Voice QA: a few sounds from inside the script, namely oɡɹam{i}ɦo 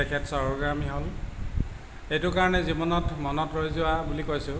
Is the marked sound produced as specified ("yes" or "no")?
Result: yes